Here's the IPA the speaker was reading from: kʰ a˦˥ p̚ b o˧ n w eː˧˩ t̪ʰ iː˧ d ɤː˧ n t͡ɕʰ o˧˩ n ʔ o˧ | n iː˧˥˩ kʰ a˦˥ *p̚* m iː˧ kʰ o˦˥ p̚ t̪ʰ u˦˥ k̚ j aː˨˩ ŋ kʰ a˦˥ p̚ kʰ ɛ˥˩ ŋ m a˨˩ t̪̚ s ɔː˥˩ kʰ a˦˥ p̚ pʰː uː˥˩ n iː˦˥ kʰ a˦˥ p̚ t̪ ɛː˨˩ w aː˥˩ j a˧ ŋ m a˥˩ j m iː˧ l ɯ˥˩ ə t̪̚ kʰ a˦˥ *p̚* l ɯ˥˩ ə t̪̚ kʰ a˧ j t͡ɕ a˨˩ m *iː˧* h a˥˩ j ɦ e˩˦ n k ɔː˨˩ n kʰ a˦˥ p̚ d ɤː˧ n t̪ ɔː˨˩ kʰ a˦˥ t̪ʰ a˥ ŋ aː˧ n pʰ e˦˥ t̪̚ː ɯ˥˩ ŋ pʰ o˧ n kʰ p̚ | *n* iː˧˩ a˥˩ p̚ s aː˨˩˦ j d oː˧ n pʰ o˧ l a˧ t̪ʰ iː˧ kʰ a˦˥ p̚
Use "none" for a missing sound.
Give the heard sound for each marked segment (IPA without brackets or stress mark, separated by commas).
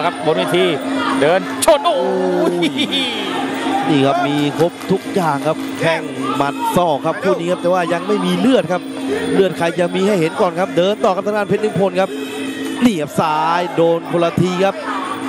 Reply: p̚, p̚, iː˧, n